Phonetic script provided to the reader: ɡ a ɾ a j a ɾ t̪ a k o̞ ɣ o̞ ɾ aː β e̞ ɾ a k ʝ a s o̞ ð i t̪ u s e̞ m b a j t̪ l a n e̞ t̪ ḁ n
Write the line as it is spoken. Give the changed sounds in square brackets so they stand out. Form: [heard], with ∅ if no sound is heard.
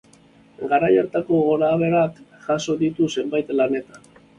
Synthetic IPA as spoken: ɡ a ɾ a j a ɾ t̪ a k o̞ ɣ o̞ ɾ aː β e̞ ɾ a k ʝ a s o̞ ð i t̪ u s e̞ m b a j t̪ l a n e̞ t̪ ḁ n